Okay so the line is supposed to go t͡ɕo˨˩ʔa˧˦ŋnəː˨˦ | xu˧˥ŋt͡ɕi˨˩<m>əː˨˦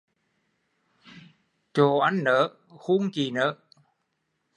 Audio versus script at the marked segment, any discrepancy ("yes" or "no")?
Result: yes